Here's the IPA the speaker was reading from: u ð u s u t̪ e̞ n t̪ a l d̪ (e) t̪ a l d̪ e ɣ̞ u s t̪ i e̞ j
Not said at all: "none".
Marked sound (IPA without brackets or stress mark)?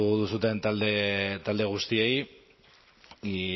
e